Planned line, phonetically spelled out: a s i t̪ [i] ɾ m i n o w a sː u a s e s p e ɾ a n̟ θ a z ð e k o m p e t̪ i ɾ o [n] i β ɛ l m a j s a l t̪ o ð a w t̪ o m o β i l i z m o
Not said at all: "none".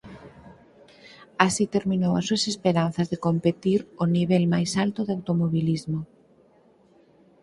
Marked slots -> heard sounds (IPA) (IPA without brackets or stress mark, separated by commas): e, n